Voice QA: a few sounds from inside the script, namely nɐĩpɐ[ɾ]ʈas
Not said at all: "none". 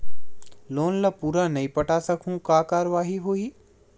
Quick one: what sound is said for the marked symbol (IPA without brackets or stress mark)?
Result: none